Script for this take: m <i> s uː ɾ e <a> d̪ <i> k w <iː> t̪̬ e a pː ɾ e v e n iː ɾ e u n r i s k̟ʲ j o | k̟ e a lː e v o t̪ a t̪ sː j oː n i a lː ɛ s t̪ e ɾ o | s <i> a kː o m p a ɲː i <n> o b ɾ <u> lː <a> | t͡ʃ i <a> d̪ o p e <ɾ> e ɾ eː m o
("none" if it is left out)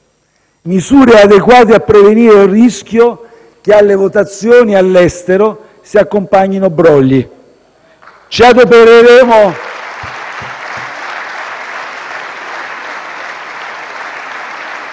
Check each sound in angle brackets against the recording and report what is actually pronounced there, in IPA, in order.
i, a, e, aː, i, n, ɔ, i, a, ɾ

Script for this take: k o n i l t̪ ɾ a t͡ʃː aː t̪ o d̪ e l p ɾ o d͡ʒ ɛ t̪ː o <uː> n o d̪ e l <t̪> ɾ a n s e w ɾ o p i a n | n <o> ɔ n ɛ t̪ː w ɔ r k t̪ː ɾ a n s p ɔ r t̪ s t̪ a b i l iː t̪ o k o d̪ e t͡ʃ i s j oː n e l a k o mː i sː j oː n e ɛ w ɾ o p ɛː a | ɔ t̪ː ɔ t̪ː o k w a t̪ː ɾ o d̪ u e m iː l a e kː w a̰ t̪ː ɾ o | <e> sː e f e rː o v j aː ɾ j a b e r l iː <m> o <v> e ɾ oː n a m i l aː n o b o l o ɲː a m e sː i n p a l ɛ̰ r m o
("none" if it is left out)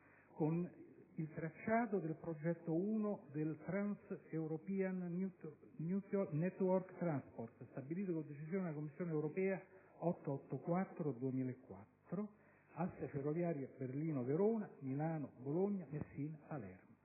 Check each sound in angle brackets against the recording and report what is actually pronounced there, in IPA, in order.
uː, t̪, u, a, n, v

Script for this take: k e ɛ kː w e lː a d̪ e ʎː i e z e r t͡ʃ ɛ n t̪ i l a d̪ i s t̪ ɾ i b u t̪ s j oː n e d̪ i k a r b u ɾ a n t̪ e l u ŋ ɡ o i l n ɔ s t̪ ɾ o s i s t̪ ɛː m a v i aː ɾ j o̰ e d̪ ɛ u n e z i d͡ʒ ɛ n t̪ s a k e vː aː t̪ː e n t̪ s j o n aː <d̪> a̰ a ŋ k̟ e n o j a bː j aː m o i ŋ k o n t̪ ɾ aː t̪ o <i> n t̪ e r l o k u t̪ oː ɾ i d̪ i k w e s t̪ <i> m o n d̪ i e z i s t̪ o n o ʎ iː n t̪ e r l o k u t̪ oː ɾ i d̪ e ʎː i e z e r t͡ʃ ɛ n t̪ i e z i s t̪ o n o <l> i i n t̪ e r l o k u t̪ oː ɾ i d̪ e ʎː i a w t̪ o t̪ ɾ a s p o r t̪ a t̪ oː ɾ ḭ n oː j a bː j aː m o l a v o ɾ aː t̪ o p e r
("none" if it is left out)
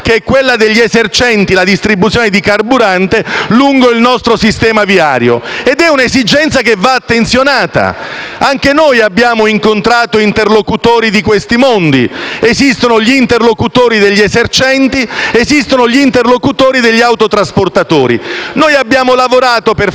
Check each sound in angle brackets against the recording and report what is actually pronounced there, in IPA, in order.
t̪, i, i, ʎ

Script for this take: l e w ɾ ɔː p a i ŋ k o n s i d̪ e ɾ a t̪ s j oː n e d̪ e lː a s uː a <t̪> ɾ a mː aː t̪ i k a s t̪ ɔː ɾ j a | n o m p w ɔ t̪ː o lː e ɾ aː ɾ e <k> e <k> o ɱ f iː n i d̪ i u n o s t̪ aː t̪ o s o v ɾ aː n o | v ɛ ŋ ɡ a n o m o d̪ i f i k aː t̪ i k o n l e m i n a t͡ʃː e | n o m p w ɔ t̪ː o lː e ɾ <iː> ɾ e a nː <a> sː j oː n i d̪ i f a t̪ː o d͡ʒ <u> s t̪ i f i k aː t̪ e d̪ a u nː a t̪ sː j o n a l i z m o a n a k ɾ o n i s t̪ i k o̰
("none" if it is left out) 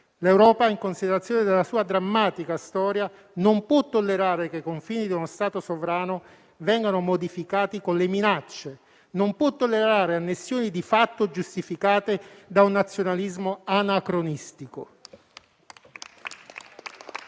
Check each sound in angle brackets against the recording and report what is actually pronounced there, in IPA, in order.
d̪, k, k, aː, e, u

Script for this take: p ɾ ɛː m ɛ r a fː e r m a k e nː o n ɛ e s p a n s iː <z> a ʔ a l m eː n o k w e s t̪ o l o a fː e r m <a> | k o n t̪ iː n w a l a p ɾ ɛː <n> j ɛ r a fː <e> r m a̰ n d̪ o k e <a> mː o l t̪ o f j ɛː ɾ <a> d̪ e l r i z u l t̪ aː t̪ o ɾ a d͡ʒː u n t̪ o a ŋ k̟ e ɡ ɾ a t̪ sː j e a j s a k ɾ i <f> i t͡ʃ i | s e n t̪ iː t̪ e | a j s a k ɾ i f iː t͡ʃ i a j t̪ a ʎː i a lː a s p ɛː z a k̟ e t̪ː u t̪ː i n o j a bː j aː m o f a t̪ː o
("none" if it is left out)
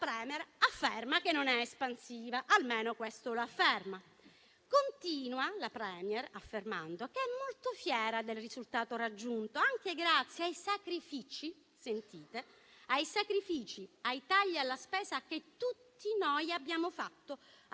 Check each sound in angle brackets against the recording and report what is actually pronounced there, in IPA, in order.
v, a, m, e, ɛ, a, f

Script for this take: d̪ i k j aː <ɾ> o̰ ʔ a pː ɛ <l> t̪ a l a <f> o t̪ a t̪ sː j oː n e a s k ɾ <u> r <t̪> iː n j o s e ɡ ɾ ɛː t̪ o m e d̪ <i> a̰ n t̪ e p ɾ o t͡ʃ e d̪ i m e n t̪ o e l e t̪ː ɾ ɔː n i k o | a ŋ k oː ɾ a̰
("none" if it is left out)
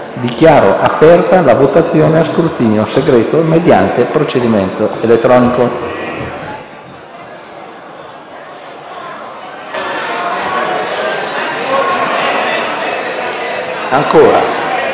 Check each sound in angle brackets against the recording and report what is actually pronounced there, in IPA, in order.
ɾ, r, v, u, t̪, j

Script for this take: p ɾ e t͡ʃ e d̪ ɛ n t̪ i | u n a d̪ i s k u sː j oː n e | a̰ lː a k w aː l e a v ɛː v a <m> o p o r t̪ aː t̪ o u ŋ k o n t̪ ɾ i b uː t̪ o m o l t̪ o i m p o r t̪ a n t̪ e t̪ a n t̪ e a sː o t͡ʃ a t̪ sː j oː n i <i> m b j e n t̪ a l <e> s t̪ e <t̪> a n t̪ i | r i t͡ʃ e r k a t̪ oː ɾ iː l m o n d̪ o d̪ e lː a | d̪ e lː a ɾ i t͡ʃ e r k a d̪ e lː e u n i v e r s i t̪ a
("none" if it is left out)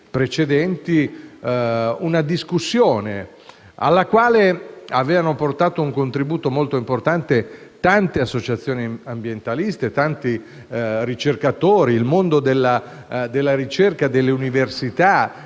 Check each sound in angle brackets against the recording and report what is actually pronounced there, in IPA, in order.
n, a, i, t̪

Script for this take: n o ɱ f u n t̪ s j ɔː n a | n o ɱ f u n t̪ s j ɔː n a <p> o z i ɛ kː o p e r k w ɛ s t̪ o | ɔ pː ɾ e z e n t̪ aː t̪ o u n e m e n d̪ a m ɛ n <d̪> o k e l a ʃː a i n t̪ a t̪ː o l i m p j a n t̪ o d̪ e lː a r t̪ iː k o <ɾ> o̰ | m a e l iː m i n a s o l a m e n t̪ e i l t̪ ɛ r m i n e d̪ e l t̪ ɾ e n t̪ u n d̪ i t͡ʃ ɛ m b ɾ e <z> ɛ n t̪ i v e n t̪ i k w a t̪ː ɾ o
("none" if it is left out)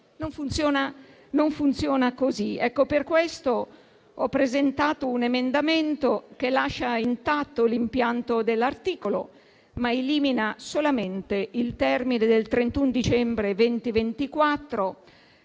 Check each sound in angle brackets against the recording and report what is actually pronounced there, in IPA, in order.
k, t̪, l, v

